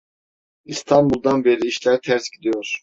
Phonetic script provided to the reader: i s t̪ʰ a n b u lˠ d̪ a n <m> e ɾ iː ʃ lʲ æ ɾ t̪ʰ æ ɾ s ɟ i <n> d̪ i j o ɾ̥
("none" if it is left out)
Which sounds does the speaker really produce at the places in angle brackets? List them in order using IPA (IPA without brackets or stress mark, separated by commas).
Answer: b, none